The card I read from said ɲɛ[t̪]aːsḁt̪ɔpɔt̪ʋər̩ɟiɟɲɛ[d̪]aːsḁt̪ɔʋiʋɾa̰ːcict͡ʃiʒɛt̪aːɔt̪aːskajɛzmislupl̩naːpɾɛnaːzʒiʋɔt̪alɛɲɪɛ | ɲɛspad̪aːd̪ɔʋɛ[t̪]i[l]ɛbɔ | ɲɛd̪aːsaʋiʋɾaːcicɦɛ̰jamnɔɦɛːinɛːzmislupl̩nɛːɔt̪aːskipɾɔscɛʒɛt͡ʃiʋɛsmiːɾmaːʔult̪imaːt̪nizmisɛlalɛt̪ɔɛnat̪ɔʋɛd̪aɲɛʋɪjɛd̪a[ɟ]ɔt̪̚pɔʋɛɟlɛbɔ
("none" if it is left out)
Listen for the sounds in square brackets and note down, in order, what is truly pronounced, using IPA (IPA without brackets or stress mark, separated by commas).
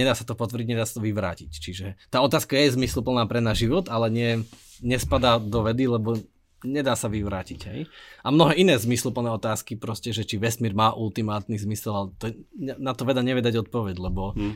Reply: d̪, d̪, d̪, l, ɟ